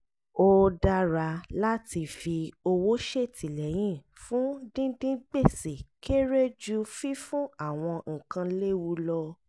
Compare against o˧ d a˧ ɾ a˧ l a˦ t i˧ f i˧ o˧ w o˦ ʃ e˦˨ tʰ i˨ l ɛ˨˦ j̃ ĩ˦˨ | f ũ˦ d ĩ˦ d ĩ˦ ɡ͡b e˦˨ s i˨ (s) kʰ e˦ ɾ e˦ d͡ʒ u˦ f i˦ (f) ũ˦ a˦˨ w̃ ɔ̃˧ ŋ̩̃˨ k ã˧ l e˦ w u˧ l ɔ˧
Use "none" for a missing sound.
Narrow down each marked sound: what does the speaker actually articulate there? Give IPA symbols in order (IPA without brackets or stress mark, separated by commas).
none, f